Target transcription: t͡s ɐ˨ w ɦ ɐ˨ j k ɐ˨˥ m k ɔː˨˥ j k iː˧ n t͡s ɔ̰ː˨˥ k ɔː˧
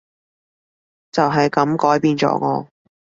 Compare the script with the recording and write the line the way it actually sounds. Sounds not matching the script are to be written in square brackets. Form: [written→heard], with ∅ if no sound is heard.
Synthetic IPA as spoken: t͡s ɐ˨ w ɦ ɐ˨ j k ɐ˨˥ m k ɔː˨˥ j [k→p] iː˧ n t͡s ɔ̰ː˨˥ k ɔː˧